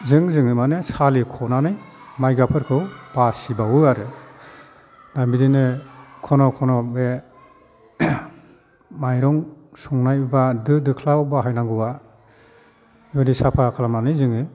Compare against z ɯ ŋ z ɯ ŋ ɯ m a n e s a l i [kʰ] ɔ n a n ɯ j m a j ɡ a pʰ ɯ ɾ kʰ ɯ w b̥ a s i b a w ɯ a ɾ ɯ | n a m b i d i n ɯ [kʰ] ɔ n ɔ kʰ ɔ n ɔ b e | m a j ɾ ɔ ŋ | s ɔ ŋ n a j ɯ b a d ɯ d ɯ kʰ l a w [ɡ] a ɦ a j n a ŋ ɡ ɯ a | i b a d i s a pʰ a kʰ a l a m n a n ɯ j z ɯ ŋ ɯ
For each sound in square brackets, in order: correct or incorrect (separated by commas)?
correct, correct, incorrect